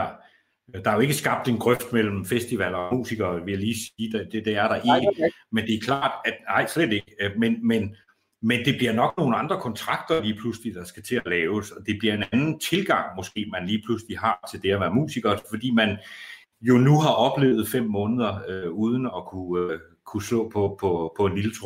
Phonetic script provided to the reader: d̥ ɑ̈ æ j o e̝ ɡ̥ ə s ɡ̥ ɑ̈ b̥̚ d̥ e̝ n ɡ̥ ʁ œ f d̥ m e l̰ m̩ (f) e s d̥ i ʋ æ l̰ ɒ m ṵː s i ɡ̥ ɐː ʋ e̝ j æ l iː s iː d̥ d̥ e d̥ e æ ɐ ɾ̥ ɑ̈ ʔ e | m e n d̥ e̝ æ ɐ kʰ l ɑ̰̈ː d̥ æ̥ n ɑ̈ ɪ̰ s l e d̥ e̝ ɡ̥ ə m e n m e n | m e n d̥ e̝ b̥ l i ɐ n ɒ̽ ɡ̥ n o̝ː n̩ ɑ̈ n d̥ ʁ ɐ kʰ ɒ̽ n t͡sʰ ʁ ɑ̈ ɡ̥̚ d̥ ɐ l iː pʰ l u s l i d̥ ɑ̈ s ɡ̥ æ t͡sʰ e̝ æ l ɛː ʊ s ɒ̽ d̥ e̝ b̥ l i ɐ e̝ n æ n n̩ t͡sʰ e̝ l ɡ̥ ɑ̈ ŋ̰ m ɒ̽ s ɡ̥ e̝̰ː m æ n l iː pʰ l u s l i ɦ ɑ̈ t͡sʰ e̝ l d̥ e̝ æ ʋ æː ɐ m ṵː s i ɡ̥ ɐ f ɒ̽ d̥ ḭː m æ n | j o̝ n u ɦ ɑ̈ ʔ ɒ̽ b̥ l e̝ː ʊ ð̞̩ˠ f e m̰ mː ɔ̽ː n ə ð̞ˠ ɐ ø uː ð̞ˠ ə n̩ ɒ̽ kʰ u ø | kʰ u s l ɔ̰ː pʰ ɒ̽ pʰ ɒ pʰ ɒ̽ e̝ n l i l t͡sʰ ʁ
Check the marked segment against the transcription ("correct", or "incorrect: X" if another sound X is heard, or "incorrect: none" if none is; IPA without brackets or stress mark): correct